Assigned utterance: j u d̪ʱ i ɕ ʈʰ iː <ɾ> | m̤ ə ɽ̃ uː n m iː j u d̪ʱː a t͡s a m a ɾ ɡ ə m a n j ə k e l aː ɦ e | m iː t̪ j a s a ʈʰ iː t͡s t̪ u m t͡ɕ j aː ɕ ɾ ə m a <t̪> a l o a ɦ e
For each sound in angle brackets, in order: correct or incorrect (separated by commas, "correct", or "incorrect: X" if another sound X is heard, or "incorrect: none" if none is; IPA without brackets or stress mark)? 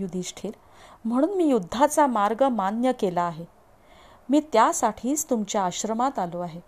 correct, correct